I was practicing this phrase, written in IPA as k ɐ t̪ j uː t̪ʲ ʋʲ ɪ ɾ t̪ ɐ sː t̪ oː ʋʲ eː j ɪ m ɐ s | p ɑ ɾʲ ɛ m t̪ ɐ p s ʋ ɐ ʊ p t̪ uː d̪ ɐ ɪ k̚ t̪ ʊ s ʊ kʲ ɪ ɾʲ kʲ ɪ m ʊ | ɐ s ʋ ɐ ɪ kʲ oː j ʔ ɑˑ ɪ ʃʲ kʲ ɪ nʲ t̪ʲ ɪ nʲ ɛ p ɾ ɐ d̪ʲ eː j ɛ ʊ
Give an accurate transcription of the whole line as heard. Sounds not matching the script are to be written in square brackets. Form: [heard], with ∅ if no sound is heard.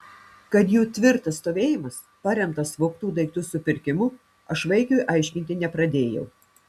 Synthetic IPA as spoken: k ɐ t̪ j uː t̪ʲ ʋʲ ɪ ɾ t̪ ɐ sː t̪ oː ʋʲ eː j ɪ m ɐ s | p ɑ ɾʲ ɛ m t̪ ɐ [∅] s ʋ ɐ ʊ [k] t̪ uː d̪ ɐ ɪ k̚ t̪ ʊ s ʊ [pʲ] ɪ ɾʲ kʲ ɪ m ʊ | ɐ [ʃ] ʋ ɐ ɪ kʲ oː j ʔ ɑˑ ɪ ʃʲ kʲ ɪ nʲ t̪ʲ ɪ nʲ ɛ p ɾ ɐ d̪ʲ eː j ɛ ʊ